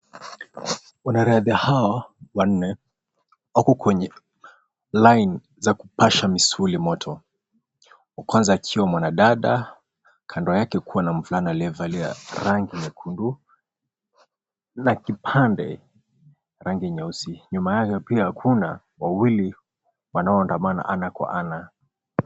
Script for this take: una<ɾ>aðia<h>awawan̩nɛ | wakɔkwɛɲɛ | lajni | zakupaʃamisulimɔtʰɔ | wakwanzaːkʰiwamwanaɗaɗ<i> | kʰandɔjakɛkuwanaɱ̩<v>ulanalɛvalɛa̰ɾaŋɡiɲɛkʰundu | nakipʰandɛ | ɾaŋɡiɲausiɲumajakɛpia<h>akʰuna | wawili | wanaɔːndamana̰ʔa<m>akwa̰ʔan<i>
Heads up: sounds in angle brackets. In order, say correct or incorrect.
correct, correct, incorrect: a, correct, correct, incorrect: n, incorrect: a

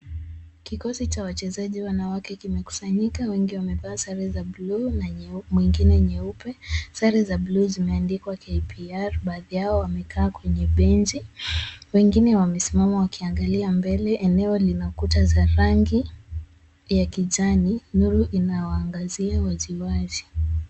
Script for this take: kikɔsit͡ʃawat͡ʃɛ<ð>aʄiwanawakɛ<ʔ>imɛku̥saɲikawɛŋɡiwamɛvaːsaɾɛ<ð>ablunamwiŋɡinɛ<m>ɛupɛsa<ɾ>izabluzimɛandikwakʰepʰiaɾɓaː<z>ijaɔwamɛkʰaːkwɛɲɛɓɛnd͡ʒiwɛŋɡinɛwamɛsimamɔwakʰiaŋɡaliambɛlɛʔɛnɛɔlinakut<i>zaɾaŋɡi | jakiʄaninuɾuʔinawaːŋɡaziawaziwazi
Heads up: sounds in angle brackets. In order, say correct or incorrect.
incorrect: z, incorrect: k, incorrect: z, incorrect: ɲ, correct, incorrect: ð, incorrect: a

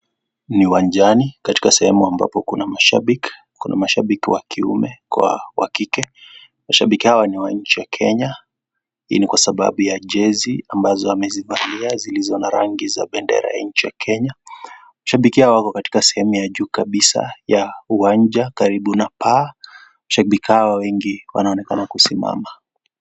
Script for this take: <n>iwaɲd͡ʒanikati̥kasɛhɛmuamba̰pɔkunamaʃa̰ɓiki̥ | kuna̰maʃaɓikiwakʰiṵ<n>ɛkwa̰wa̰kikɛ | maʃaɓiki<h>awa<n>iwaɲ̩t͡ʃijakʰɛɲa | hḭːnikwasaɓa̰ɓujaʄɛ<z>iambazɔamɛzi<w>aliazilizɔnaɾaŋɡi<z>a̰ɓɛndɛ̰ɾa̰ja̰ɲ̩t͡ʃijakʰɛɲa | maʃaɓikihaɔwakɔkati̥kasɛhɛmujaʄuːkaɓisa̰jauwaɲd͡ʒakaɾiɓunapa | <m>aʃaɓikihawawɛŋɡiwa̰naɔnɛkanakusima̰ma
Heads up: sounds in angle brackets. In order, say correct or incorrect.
correct, incorrect: m, correct, correct, correct, incorrect: v, correct, correct

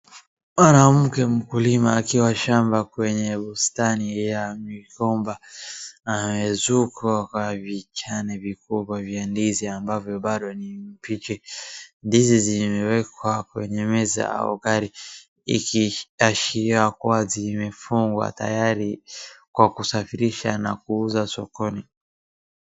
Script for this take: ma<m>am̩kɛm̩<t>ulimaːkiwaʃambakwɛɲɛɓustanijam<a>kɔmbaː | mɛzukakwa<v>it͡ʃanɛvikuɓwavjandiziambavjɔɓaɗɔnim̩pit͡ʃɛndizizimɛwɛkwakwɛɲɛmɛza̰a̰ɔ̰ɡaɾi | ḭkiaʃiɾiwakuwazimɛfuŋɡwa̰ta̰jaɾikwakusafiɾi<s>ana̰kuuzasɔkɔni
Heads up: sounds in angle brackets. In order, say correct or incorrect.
incorrect: n, incorrect: k, incorrect: i, correct, incorrect: ʃ

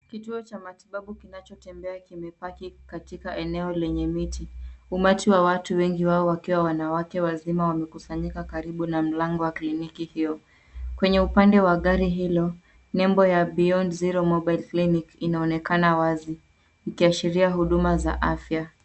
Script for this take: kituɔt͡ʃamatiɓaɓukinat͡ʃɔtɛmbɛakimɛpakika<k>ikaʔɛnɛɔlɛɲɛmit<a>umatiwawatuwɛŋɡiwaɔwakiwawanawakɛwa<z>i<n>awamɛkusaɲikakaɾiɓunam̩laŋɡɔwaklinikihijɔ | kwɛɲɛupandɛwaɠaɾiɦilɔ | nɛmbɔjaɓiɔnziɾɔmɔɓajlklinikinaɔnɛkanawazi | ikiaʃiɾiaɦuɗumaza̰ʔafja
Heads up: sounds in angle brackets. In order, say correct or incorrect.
incorrect: t, incorrect: i, correct, incorrect: m

